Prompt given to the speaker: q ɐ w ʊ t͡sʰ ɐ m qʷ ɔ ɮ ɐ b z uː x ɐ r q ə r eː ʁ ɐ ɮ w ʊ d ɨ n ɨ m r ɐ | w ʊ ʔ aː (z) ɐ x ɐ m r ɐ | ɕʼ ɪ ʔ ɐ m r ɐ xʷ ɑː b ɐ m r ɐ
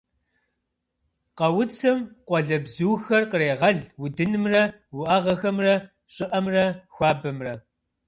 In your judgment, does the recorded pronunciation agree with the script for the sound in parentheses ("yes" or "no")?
no